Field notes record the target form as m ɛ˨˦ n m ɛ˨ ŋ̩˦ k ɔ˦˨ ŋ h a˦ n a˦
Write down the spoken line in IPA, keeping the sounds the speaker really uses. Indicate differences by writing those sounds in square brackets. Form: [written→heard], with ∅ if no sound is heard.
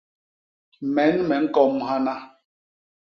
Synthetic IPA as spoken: m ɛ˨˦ n m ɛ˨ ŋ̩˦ k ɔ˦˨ [ŋ→m] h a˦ n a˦